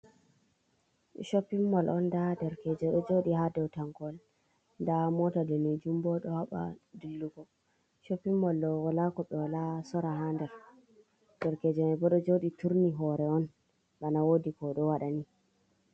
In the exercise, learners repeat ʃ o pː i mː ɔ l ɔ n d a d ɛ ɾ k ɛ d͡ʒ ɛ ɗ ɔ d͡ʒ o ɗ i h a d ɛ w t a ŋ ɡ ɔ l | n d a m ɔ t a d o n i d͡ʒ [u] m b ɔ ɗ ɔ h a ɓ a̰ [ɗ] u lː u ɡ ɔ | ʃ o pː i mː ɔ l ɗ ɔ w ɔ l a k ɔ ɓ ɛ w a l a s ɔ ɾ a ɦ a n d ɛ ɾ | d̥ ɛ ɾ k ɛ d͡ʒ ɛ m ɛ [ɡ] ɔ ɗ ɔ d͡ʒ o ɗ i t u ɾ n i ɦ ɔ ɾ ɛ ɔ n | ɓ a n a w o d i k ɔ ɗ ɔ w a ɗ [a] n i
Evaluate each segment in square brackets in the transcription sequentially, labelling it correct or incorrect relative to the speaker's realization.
correct, incorrect, incorrect, correct

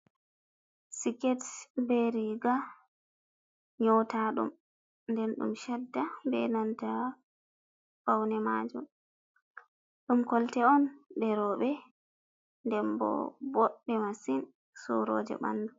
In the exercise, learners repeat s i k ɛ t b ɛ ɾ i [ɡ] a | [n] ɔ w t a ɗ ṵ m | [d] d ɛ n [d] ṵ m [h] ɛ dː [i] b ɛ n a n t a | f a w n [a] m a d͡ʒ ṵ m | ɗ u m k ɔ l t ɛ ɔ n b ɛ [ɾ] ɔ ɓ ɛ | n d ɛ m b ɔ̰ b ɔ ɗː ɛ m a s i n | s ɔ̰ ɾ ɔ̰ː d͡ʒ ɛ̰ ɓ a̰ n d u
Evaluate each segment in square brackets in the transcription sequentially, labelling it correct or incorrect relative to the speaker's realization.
correct, incorrect, incorrect, incorrect, incorrect, incorrect, incorrect, correct

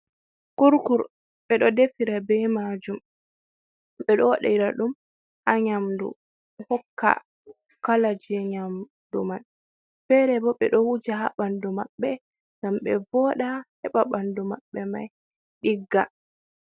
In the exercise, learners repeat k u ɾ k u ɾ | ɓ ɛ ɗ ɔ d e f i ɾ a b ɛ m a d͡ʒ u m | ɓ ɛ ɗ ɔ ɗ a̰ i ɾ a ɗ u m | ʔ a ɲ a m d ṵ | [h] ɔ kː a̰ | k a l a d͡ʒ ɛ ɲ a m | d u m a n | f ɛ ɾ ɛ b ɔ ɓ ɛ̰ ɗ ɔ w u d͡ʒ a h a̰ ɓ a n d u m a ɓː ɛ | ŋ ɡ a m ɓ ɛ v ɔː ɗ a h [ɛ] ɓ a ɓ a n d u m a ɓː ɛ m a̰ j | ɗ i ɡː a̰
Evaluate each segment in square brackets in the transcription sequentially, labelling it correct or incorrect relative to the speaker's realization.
correct, correct

